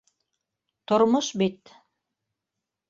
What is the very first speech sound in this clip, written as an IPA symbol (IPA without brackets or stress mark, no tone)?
t̪